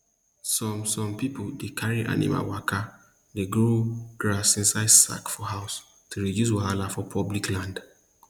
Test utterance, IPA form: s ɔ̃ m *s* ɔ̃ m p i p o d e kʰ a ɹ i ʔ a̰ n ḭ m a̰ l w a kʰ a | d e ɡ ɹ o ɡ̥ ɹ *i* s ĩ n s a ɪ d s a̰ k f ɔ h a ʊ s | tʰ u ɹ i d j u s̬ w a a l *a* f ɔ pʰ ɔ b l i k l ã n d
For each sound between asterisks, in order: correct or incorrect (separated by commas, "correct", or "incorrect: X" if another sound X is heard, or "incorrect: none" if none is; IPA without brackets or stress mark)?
correct, incorrect: a, correct